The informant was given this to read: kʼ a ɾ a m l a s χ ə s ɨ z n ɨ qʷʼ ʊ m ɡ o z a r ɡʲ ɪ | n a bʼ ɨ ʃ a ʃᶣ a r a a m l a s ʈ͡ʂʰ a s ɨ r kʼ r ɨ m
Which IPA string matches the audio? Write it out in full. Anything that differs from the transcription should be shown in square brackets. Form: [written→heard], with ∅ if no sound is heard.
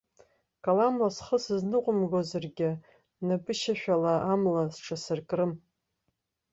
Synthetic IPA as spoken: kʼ a [ɾ→l] a m l a s χ ə s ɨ z n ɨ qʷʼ ʊ m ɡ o z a r ɡʲ ɪ | n a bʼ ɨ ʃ a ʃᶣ a [r→l] a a m l a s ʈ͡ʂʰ a s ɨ r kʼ r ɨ m